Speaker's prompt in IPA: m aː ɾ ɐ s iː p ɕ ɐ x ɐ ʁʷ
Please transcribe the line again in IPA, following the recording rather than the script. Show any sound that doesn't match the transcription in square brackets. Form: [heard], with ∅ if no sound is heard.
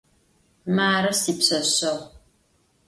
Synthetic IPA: m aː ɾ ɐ s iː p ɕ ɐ [ɕ] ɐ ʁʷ